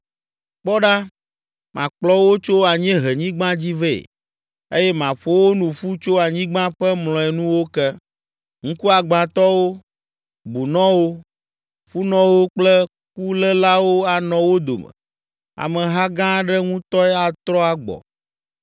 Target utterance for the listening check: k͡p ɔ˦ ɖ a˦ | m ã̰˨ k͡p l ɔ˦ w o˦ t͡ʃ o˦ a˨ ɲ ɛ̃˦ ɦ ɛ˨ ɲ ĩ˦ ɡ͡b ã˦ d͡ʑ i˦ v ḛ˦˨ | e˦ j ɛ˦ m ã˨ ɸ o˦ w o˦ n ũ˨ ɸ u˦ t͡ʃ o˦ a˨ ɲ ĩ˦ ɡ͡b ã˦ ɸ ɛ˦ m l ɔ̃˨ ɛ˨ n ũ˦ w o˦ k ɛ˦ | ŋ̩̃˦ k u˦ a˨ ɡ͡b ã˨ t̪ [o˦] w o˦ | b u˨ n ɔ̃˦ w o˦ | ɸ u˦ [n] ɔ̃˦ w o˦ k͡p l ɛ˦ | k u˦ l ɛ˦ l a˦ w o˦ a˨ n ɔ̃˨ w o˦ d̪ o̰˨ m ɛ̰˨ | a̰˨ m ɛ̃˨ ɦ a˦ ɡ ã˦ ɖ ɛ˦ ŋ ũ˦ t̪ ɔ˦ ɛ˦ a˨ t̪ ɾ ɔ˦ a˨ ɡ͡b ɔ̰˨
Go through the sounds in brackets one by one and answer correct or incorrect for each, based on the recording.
incorrect, correct

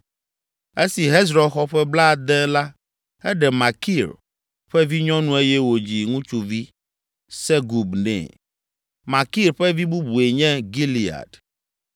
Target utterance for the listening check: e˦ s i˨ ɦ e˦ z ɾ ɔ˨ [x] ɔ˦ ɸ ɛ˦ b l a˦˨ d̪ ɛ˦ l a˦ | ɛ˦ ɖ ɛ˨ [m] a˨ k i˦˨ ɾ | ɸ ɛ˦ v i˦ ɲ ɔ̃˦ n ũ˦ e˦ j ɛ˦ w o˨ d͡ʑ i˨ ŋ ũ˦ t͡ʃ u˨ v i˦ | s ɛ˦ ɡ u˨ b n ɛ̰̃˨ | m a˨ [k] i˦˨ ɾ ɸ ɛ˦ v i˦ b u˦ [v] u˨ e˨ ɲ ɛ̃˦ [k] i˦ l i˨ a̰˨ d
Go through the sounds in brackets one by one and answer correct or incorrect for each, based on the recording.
correct, correct, correct, incorrect, incorrect

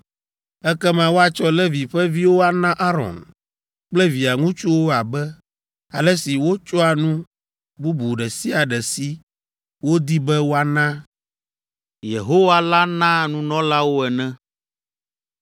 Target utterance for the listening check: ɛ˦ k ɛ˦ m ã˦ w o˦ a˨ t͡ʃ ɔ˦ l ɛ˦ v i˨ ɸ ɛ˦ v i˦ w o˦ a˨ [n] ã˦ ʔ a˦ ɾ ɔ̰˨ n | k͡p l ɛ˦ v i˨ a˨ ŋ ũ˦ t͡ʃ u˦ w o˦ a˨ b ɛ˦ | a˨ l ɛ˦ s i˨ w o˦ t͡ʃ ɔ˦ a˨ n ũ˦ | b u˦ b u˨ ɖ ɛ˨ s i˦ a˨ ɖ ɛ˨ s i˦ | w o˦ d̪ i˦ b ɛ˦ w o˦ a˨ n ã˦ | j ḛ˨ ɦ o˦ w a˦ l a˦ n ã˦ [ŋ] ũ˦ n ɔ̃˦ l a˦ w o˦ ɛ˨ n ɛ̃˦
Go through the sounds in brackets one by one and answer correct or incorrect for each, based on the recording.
correct, incorrect

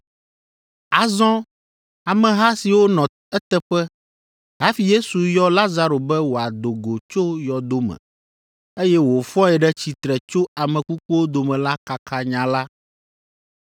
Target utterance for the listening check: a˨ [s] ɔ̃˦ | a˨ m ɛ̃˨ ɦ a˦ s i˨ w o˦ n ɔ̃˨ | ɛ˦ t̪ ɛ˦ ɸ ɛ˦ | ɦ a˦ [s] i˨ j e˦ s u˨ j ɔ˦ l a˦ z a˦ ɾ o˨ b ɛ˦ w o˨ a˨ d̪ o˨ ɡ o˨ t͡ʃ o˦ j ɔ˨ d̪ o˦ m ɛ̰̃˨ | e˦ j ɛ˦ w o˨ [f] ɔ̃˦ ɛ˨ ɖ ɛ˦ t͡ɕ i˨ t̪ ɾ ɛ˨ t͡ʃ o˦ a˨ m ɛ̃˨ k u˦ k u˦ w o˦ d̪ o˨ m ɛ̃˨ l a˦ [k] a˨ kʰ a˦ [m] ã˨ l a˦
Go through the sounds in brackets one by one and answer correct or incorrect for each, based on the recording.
incorrect, incorrect, correct, correct, incorrect

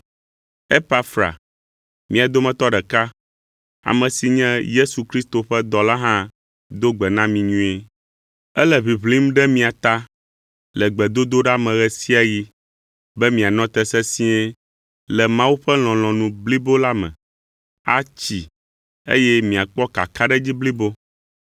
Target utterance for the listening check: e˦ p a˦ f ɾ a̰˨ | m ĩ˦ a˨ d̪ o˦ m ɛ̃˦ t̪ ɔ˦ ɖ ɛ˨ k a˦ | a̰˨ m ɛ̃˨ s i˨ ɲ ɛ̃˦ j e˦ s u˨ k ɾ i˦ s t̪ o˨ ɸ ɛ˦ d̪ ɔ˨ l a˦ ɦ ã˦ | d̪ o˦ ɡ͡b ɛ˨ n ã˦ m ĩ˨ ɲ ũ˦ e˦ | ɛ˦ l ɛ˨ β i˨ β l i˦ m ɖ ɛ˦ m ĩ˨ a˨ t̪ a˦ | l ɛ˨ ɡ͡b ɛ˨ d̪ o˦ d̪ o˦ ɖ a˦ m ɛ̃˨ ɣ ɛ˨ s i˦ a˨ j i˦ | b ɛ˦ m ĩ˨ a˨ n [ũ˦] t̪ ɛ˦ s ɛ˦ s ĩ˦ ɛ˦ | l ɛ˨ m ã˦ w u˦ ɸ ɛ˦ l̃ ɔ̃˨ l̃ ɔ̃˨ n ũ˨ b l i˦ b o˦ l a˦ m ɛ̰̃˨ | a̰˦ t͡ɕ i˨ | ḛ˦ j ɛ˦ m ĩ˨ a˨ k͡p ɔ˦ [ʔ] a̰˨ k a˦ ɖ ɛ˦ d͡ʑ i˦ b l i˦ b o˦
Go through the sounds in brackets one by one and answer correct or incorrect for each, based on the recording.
incorrect, incorrect

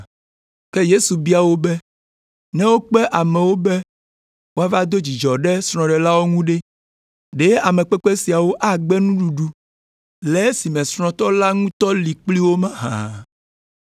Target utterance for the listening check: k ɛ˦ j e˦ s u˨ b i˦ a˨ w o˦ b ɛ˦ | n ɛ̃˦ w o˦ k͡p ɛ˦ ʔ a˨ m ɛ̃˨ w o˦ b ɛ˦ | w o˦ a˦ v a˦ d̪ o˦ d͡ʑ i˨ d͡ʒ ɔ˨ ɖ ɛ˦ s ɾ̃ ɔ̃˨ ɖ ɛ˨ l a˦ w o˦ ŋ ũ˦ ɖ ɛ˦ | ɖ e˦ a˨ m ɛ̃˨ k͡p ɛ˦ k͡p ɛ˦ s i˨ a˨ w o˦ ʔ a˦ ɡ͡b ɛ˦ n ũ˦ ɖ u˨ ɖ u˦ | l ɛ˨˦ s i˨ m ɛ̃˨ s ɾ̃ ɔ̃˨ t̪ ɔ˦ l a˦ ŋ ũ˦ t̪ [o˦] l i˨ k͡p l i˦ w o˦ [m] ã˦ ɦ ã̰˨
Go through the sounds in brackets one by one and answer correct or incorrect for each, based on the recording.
incorrect, correct

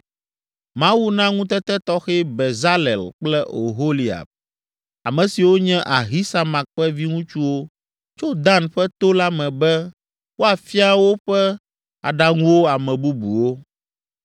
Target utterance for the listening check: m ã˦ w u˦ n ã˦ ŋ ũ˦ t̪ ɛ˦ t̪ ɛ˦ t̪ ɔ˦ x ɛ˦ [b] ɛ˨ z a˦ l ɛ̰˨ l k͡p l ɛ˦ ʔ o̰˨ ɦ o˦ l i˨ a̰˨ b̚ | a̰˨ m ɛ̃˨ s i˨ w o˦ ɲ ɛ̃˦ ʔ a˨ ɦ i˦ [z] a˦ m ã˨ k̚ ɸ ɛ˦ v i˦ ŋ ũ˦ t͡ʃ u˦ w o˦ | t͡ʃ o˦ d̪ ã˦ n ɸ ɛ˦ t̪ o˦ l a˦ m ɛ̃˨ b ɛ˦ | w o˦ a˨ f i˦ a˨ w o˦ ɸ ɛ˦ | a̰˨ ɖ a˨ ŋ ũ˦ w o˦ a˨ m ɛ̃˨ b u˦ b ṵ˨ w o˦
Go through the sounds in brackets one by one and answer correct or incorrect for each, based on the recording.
correct, incorrect

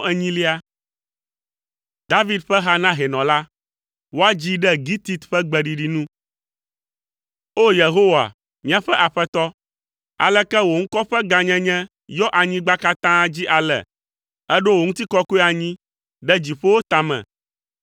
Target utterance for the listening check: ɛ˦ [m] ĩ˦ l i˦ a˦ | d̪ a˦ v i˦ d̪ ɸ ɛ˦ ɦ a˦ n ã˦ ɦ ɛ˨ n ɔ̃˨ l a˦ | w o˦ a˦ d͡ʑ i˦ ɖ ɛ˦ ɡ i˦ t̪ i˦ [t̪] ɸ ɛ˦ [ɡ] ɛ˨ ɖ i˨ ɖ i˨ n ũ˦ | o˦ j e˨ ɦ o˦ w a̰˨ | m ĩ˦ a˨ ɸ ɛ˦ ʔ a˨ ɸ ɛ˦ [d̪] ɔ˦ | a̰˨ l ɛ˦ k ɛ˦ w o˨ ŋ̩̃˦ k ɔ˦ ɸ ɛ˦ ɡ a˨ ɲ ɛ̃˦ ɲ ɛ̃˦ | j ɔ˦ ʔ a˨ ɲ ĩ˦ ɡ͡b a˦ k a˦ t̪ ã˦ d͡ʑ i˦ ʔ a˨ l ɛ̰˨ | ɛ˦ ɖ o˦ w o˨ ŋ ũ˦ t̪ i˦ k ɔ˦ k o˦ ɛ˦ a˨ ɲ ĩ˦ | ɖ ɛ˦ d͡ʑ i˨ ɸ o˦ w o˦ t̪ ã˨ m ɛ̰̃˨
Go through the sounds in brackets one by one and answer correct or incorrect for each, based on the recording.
incorrect, correct, incorrect, incorrect

